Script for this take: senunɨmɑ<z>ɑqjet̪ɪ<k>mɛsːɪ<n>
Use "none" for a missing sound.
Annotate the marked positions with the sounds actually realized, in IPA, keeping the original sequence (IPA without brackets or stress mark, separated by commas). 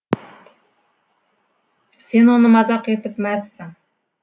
z, p, ŋ